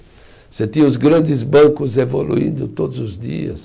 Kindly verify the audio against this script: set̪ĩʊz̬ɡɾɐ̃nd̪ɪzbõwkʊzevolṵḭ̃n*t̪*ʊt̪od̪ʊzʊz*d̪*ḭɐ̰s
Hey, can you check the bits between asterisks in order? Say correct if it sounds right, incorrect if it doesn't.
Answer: incorrect, correct

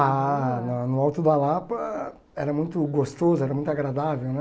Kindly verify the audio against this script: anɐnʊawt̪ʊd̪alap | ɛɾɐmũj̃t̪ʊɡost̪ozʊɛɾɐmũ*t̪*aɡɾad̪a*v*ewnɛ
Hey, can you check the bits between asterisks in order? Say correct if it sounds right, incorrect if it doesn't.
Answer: correct, correct

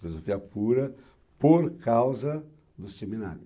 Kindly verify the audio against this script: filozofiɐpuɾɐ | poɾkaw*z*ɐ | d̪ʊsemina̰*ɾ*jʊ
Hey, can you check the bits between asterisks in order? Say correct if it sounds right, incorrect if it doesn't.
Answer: correct, correct

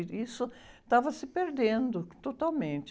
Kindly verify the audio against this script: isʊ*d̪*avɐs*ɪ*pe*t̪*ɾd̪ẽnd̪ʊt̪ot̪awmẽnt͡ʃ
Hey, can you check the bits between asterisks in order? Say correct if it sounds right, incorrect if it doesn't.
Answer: incorrect, correct, incorrect

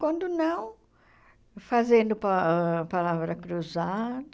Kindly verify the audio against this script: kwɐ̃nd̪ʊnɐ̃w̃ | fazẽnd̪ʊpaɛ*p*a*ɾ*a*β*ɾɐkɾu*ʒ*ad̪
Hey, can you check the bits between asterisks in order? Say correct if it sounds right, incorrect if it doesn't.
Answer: correct, incorrect, incorrect, incorrect

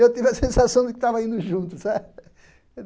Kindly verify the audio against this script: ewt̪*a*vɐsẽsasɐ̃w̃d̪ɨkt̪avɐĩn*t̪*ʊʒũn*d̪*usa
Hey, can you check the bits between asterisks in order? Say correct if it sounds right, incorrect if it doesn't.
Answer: incorrect, incorrect, incorrect

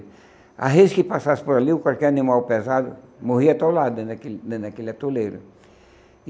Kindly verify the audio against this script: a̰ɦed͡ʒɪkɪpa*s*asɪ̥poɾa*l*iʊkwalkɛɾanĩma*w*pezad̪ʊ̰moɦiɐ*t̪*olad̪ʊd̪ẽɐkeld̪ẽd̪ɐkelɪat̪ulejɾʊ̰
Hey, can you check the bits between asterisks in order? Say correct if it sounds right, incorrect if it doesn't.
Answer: correct, correct, correct, correct

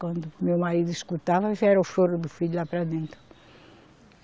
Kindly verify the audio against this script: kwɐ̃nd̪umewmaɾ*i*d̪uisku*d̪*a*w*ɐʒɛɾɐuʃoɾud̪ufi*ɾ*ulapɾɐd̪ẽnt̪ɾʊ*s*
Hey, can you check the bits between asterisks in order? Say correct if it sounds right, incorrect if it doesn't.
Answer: correct, incorrect, incorrect, incorrect, incorrect

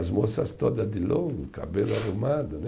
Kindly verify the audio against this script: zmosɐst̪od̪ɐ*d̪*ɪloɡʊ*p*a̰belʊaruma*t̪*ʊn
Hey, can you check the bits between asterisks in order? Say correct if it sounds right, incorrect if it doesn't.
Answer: correct, incorrect, incorrect

